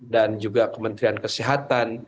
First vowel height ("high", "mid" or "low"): low